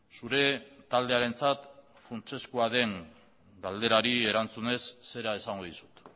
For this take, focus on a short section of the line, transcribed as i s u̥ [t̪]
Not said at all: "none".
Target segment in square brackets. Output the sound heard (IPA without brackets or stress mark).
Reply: t̪